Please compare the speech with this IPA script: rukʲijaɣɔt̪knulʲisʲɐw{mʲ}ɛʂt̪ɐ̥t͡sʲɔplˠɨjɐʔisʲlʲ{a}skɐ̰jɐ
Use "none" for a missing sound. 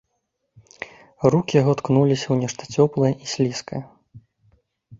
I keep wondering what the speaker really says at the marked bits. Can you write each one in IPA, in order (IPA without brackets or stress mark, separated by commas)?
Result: nʲ, i